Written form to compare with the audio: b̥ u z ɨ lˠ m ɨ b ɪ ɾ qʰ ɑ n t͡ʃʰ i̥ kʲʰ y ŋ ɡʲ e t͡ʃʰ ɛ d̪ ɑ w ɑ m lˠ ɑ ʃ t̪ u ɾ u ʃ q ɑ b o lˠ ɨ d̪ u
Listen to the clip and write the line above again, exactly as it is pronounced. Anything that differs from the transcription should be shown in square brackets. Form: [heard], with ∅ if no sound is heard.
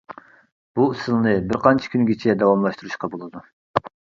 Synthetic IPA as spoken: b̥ u [s] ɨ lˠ [n] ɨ b ɪ ɾ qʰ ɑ n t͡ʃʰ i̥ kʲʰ y [n] ɡʲ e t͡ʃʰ ɛ d̪ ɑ w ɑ m lˠ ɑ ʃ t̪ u ɾ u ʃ q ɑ b o lˠ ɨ d̪ u